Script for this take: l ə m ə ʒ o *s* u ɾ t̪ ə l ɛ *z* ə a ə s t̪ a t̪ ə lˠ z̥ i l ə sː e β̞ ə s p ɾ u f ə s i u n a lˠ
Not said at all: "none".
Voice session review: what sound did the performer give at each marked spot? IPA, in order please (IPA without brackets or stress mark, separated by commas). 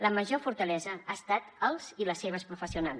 f, z